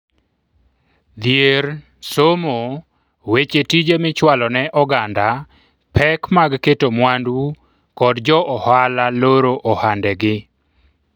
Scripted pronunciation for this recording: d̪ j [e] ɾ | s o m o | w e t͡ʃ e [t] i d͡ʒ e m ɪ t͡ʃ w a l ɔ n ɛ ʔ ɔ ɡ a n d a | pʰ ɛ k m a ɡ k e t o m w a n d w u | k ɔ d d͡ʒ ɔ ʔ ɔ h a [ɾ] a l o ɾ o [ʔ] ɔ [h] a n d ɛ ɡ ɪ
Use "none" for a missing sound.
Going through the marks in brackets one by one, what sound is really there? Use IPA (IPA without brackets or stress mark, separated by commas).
e, t, l, ʔ, h